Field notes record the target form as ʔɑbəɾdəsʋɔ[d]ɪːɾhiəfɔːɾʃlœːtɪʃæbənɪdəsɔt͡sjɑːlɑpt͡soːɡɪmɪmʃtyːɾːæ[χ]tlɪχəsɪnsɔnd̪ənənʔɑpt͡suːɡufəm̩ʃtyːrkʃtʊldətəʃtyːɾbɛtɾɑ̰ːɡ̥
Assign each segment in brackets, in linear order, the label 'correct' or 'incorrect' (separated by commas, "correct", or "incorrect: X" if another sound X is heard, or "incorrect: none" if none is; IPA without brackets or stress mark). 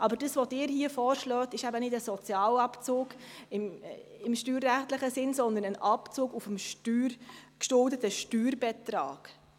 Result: correct, correct